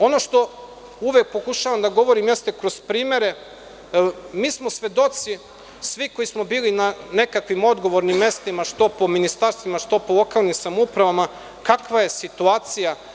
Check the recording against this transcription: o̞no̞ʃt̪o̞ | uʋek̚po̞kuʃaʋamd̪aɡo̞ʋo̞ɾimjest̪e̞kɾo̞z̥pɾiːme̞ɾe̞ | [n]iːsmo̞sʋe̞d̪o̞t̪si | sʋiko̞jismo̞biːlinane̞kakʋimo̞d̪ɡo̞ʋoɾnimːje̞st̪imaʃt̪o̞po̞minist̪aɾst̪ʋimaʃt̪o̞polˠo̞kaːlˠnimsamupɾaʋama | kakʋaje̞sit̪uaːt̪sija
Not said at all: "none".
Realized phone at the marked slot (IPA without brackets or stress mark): m